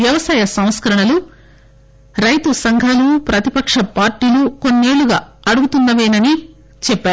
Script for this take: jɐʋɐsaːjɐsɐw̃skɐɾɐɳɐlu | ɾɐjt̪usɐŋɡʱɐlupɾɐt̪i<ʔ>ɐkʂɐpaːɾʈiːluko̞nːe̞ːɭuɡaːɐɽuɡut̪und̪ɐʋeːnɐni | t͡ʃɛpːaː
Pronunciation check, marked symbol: incorrect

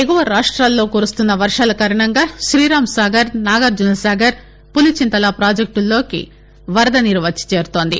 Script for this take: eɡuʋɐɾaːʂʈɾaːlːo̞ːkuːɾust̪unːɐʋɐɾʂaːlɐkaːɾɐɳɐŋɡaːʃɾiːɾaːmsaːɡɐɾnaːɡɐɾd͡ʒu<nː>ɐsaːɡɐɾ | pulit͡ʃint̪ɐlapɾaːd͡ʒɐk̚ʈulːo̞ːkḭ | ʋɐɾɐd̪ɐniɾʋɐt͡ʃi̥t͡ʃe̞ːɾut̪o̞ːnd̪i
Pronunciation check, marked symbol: incorrect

